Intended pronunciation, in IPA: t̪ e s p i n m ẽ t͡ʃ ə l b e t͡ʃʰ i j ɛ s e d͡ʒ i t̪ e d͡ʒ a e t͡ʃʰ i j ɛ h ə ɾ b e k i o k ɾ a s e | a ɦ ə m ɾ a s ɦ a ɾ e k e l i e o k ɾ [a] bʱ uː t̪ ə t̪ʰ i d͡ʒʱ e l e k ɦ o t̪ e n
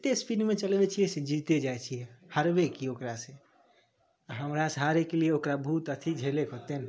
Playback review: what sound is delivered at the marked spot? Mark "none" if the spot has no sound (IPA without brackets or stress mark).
a